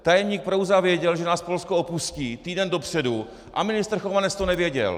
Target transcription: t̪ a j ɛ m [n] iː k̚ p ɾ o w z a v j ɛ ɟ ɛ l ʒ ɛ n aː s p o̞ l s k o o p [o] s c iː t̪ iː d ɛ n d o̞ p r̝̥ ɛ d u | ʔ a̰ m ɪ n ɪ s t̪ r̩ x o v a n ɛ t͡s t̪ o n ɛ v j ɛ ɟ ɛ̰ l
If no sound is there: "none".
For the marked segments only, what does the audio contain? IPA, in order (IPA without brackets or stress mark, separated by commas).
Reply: ɲ, u